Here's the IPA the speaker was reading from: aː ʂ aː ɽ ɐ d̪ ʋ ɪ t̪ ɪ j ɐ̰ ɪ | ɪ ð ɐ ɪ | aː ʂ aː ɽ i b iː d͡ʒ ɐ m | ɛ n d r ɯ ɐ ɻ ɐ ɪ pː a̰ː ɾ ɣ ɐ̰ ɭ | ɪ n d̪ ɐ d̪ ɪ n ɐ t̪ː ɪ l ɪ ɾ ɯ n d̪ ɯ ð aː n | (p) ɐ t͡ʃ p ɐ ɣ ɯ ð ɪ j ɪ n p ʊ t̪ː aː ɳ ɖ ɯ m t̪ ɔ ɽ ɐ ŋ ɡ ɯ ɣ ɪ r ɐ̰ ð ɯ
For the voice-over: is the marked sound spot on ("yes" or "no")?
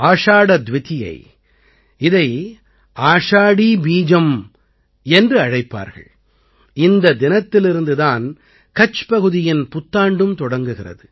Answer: no